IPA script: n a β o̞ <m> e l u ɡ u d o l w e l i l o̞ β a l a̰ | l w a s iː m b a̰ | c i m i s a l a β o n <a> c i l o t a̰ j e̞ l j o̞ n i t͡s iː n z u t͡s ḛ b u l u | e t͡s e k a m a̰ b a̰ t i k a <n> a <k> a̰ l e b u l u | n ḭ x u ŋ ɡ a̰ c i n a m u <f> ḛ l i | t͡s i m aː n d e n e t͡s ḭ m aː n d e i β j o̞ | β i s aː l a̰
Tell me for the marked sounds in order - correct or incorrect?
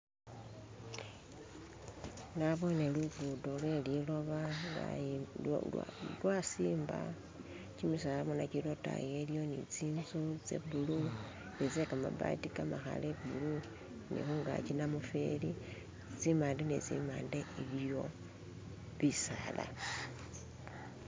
incorrect: n, correct, incorrect: m, incorrect: x, correct

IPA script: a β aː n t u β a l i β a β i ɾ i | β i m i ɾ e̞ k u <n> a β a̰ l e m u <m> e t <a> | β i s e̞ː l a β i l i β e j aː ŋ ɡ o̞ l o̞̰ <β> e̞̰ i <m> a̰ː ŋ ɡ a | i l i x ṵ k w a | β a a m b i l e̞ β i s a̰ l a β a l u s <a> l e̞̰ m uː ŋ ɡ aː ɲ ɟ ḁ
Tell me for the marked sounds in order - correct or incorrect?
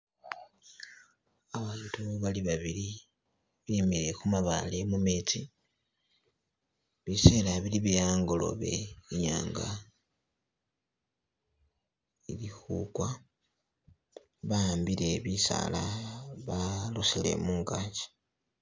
incorrect: m, correct, incorrect: i, correct, incorrect: ɲ, incorrect: i

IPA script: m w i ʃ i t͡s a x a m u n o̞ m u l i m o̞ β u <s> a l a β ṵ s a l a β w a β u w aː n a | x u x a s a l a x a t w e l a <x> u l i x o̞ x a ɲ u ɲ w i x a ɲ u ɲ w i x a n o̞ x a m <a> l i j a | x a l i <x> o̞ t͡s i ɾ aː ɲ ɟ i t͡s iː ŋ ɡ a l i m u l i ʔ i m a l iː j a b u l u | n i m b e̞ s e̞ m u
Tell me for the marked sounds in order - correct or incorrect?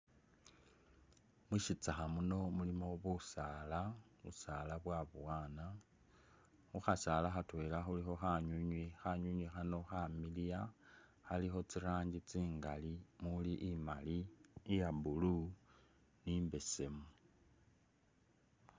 correct, correct, incorrect: i, correct

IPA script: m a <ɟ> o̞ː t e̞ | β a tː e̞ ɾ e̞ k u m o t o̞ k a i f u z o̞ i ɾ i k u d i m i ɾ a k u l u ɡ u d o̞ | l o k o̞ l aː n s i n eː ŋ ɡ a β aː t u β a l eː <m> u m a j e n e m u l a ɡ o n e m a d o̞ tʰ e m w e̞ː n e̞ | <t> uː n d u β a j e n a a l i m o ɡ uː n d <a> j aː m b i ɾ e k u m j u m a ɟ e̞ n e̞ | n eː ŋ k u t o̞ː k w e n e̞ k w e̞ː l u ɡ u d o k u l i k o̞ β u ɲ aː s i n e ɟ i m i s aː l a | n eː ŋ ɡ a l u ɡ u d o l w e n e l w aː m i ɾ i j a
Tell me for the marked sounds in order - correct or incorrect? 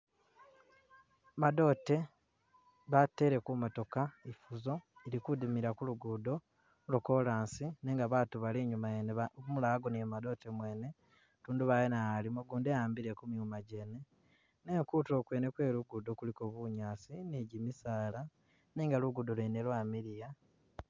incorrect: d, incorrect: ɲ, correct, incorrect: e

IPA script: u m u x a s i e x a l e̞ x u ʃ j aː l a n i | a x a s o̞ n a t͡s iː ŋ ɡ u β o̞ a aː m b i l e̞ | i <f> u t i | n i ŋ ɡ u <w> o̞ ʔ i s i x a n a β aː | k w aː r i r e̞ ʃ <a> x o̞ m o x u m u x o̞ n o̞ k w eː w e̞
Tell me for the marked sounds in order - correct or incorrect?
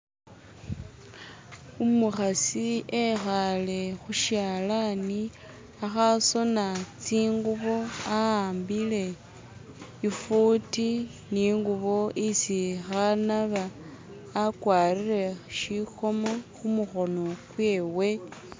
correct, incorrect: β, incorrect: i

